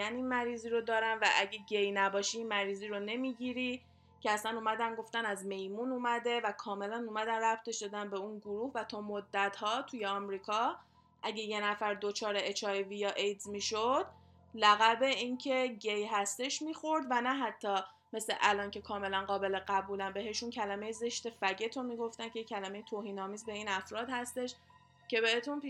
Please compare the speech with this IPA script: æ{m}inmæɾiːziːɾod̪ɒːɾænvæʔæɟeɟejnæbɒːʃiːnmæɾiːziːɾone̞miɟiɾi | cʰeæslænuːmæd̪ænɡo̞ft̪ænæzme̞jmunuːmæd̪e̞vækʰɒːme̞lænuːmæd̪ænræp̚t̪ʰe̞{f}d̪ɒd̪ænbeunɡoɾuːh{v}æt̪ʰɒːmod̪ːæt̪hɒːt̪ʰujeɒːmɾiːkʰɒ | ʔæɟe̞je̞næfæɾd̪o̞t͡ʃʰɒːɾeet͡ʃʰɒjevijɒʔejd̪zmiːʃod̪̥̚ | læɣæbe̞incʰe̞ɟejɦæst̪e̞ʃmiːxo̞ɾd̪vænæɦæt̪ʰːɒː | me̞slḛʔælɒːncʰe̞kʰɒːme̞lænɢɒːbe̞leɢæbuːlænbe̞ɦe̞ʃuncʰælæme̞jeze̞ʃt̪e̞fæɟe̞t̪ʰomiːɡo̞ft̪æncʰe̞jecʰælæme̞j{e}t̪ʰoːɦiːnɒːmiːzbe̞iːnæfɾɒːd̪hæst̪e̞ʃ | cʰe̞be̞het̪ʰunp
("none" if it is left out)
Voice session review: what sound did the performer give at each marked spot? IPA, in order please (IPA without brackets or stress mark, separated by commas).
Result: n, ʃ, v, e